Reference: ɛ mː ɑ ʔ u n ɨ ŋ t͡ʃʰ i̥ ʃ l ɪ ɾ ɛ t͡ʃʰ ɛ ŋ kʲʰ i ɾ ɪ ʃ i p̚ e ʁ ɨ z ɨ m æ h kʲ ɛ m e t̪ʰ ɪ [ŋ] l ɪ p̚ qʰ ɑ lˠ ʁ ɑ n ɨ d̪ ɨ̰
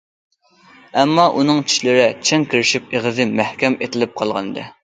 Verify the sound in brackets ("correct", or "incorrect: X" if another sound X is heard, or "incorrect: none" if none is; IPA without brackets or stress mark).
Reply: incorrect: none